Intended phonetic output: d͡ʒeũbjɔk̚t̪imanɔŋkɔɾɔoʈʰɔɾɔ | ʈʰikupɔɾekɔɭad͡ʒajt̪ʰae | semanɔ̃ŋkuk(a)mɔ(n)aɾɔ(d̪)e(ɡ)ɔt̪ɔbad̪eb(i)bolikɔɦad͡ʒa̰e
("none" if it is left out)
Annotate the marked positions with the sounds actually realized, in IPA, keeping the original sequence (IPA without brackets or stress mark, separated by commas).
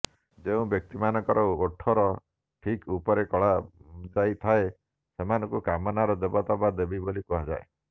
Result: a, n, d̪, b, i